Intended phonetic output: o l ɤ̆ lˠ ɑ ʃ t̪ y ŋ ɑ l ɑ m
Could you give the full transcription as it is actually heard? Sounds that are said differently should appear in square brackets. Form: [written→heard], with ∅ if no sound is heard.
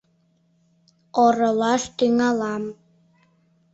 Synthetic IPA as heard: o [l→ɾ] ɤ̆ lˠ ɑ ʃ t̪ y ŋ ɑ l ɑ m